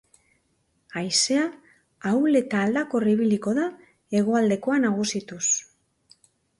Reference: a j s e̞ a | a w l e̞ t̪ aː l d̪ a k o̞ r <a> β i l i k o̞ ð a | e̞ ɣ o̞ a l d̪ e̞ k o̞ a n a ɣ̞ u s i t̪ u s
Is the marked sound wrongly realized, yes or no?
yes